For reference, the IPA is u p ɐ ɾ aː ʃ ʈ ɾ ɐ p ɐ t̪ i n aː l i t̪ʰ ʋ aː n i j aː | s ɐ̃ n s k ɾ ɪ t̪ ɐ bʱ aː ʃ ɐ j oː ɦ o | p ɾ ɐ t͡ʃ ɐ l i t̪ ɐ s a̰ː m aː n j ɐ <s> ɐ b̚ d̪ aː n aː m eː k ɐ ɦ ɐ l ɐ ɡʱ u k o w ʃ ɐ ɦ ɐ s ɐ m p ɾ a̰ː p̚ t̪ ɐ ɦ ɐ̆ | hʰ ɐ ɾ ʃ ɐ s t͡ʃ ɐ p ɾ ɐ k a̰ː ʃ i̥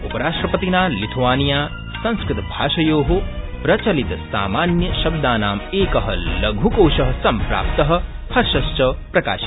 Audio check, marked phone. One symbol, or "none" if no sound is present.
ʃ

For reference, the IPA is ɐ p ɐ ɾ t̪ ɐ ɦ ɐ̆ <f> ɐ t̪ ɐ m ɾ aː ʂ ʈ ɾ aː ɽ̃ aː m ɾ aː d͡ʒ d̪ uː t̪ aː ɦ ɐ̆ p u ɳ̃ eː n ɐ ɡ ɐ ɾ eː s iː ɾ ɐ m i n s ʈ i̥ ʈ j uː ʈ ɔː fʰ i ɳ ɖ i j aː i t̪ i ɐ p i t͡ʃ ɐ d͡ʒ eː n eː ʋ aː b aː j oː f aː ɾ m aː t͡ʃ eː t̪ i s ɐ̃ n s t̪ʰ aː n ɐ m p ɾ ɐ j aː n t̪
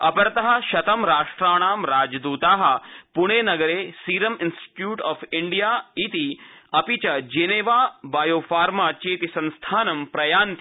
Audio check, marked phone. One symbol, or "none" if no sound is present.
ʃ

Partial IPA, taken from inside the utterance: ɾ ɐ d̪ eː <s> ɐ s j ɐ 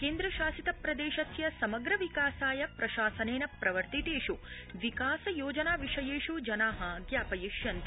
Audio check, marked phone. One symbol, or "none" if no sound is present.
ʃ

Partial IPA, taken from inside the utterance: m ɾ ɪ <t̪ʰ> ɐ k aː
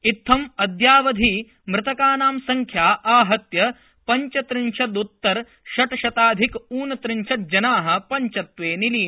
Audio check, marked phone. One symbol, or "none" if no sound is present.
t̪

